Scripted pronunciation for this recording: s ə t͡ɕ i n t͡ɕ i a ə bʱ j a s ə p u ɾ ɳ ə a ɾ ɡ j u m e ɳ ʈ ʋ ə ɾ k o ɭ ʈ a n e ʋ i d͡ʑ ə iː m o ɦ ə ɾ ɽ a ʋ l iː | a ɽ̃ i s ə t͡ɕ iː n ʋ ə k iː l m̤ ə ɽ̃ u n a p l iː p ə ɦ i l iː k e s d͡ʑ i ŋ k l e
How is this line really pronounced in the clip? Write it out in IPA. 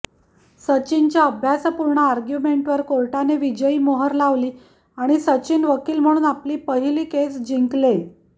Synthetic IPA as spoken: s ə t͡ɕ i n t͡ɕ j a ə bʱ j a s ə p u ɾ ɳ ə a ɾ ɡ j u m e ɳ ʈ ʋ ə ɾ k o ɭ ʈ a n e ʋ i d͡ʑ ə iː m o ɦ ə ɾ l a ʋ l iː | a ɽ̃ i s ə t͡ɕ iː n ʋ ə k iː l m̤ ə ɽ̃ uː n a p l iː p ə ɦ i l iː k e s d͡ʑ i ŋ k l e